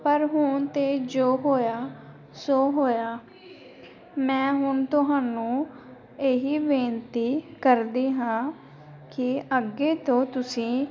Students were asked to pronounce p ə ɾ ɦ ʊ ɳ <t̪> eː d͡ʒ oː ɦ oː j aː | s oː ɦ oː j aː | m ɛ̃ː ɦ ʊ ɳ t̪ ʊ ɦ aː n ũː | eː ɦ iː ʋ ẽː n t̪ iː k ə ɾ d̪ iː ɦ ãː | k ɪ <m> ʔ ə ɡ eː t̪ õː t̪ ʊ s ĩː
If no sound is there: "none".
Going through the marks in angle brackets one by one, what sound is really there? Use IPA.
t̪, none

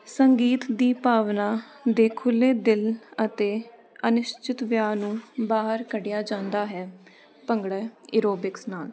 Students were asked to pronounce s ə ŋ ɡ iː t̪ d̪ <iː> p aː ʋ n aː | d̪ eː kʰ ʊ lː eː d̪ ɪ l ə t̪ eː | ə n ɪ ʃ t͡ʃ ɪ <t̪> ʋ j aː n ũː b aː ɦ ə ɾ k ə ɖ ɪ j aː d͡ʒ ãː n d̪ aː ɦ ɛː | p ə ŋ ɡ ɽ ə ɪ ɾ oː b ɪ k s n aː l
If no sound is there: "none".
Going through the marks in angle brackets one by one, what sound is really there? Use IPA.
iː, t̪

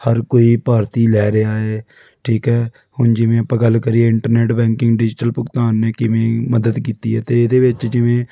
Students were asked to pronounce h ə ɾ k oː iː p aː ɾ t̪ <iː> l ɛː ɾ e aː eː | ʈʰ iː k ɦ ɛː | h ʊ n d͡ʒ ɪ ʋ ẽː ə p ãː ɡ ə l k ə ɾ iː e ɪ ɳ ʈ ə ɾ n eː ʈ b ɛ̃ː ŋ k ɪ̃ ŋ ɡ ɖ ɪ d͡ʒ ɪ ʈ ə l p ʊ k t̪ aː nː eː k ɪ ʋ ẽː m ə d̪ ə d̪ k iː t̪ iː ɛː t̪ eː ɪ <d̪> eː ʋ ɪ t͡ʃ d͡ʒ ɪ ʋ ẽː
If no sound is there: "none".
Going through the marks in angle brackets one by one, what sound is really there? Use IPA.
iː, d̪

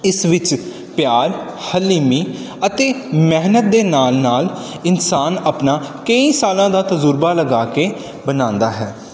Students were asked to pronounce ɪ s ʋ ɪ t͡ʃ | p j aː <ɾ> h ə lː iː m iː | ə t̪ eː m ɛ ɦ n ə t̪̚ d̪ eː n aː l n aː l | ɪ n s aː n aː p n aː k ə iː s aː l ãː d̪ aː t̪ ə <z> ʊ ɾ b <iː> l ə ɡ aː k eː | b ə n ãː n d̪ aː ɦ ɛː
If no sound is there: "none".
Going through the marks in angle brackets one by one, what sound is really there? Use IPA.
ɾ, z, aː

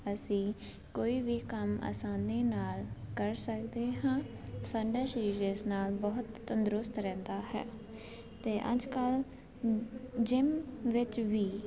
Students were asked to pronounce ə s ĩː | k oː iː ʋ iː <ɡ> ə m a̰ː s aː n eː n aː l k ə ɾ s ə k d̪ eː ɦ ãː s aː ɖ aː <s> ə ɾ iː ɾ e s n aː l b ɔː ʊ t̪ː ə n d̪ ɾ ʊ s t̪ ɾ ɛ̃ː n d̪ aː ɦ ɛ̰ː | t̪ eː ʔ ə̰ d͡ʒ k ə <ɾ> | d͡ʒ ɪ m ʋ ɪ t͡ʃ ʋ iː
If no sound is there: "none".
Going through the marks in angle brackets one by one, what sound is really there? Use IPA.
k, ʃ, l

